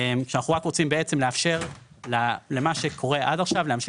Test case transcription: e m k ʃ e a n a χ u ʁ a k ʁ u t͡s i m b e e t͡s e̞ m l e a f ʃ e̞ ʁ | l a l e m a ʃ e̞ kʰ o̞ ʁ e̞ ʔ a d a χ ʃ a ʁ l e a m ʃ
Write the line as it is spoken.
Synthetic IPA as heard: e m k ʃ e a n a χ u ʁ a k ʁ o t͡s i m b e e t͡s e̞ m l e a f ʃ e̞ ʁ | l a l e m a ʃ e̞ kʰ o̞ ʁ e̞ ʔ a d a χ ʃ a v l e a m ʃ